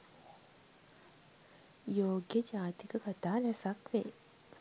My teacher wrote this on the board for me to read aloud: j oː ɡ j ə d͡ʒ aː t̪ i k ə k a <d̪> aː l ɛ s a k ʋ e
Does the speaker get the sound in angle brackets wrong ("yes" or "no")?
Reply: yes